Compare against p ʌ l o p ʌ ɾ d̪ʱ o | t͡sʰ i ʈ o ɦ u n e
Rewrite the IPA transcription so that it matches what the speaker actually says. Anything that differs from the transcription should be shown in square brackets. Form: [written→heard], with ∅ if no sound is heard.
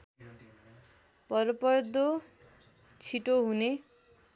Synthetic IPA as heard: p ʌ [l→ɾ] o p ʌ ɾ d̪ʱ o | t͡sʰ i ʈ o ɦ u n e

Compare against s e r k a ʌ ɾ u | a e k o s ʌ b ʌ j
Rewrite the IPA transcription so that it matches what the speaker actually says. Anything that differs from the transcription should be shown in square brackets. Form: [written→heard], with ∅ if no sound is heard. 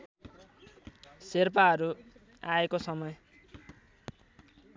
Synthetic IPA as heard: s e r [k→p] a ʌ ɾ u | a e k o s ʌ [b→m] ʌ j

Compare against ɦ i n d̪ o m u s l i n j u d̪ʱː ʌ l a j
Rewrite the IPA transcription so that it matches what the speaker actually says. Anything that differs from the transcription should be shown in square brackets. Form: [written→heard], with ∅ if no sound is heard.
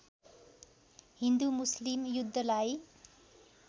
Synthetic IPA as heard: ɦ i n d̪ [o→u] m u s l i [n→m] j u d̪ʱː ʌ l a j

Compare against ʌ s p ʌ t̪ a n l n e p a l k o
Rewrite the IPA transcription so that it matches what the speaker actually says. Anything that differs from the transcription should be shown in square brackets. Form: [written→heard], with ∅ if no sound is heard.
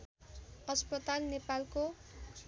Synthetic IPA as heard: ʌ s p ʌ t̪ a [n→∅] l n e p a l k o

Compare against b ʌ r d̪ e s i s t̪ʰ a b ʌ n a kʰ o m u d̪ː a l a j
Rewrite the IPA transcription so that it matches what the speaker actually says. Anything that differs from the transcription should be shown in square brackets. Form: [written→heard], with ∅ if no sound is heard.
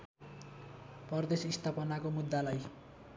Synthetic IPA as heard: [b→p] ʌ r d̪ e s i s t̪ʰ a [b→p] ʌ n a [kʰ→k] o m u d̪ː a l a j

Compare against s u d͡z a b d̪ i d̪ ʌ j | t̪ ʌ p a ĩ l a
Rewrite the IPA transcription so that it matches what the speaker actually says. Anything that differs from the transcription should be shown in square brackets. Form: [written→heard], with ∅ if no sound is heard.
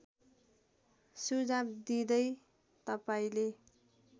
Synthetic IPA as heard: s u d͡z a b d̪ i d̪ ʌ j | t̪ ʌ p a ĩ l [a→e]

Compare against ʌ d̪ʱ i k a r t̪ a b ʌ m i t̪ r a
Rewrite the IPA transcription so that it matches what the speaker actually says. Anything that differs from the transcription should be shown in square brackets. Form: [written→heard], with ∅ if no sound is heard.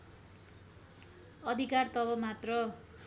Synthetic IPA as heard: ʌ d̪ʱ i k a r t̪ [a→ʌ] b ʌ m [i→a] t̪ r [a→ʌ]

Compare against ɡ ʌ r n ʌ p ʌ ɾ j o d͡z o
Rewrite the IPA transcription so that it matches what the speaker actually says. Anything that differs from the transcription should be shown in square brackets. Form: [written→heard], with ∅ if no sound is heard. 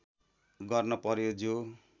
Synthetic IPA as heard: ɡ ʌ r n ʌ p ʌ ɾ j o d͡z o

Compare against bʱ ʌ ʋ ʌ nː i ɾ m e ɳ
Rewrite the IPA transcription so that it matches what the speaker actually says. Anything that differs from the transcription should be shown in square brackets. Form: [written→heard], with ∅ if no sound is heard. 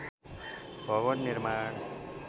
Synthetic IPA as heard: bʱ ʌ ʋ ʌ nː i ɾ m [e→a] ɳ

